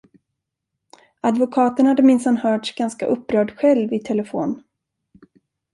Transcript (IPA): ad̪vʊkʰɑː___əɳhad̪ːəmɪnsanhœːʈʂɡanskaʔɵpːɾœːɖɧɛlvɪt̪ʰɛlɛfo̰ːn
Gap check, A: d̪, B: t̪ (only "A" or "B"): B